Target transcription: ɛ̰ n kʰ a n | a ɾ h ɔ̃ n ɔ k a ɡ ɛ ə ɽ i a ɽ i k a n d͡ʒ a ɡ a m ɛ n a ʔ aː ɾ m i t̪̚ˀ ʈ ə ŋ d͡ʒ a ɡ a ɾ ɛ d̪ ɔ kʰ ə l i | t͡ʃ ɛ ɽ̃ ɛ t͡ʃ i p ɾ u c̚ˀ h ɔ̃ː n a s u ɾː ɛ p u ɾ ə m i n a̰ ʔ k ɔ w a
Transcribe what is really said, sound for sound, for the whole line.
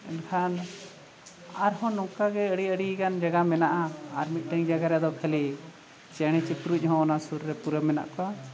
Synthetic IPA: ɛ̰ n kʰ a n | a ɾ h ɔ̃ n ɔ k a ɡ ɛ ə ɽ i ə ɽ i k a n d͡ʒ a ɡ a m ɛ n a ʔ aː ɾ m i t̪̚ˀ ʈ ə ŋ d͡ʒ a ɡ a ɾ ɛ d̪ ɔ kʰ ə l i | t͡ʃ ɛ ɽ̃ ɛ t͡ʃ i p ɾ u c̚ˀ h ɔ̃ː n a s u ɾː ɛ p u ɾ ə m ɛ n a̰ ʔ k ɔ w a